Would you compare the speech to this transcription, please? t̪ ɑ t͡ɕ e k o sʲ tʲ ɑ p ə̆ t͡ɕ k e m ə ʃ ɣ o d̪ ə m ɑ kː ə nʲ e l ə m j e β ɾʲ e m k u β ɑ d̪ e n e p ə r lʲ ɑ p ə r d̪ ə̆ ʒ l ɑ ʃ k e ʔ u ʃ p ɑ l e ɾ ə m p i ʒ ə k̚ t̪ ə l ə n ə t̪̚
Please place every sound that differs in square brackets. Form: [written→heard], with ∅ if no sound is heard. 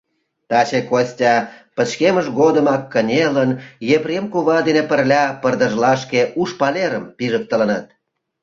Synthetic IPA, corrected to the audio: t̪ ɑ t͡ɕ e k o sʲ tʲ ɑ p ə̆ t͡ɕ k e m ə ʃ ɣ o d̪ ə m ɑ kː ə nʲ e l ə [m→n] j e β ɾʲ e m k u β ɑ d̪ e n e p ə r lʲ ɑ p ə r d̪ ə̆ ʒ l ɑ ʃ k e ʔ u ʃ p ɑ l e ɾ ə m p i ʒ ə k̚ t̪ ə l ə n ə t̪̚